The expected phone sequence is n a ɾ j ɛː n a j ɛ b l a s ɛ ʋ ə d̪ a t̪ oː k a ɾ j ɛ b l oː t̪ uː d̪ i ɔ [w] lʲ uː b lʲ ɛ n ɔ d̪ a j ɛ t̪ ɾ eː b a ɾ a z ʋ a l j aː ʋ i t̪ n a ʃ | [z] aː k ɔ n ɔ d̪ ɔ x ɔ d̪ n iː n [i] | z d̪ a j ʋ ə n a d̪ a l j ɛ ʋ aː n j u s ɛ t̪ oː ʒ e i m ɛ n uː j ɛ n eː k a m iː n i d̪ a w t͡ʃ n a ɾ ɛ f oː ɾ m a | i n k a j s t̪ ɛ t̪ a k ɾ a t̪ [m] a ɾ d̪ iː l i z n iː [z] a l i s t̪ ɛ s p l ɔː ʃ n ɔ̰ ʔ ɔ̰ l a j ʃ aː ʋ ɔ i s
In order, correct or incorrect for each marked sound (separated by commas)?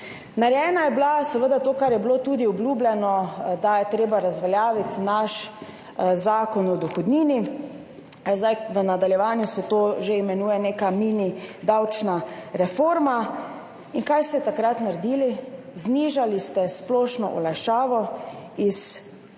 incorrect, correct, correct, incorrect, incorrect